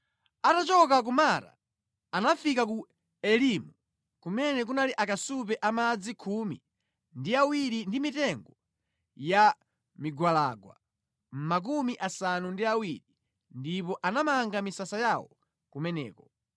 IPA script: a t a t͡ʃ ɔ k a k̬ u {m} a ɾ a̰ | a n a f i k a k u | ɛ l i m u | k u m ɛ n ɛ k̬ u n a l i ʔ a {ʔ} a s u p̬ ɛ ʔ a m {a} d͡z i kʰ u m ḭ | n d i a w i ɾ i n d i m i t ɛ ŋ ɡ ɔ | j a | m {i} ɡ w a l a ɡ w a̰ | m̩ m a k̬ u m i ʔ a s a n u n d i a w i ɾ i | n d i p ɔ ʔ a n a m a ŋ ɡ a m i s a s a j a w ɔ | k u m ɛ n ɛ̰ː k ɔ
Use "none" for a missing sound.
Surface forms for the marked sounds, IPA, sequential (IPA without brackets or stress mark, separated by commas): m, k, a, i